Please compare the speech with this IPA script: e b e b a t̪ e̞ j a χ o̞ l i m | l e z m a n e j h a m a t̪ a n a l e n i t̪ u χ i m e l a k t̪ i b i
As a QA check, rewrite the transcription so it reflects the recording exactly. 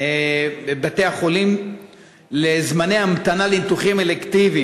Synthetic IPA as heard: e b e b a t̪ e̞ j a χ o̞ l i m | l e z m a n e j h a m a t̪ a n a l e n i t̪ u χ i m e l e k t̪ i v i